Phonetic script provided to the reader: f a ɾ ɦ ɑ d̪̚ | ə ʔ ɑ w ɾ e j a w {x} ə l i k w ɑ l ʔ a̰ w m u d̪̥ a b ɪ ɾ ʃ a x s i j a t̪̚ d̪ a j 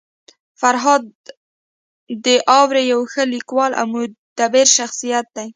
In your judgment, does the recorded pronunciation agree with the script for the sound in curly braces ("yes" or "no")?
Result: yes